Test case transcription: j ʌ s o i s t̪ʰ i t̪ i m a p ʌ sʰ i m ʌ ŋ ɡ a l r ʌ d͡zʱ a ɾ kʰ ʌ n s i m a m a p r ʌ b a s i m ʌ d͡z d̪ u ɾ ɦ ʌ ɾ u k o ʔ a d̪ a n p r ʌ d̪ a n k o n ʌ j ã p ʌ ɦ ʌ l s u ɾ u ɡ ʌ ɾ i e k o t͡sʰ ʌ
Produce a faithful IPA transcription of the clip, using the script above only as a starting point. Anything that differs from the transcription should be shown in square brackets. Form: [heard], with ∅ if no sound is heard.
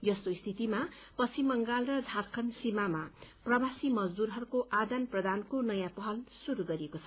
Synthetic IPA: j ʌ s o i s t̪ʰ i t̪ i m a p ʌ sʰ i m ʌ ŋ ɡ a l r ʌ d͡zʱ a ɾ kʰ ʌ n s i m a m a p r ʌ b a s i m ʌ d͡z d̪ u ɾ ɦ ʌ ɾ u k o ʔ a d̪ a n p r ʌ d̪ a n k o n ʌ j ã p ʌ ɦ ʌ l s u ɾ u ɡ ʌ ɾ i e k o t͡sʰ ʌ